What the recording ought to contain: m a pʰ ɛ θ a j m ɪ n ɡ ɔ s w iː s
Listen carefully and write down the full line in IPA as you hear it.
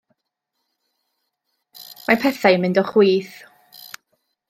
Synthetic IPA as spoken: m a pʰ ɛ θ a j m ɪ n d ɔ χ w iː θ